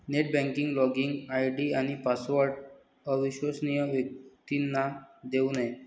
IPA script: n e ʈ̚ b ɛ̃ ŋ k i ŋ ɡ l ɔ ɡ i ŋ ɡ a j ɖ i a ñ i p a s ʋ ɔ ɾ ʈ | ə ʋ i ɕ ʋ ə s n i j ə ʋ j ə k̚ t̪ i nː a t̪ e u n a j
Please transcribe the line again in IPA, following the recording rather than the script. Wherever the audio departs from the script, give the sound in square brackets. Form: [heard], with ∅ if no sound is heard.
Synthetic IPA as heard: n e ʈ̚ b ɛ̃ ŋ k i ŋ ɡ l ɔ ɡ i ŋ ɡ a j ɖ i a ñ i p a s ʋ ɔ ɾ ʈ | ə ʋ i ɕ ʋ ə s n i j ə ʋ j ə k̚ t̪ i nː a [d̪] e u n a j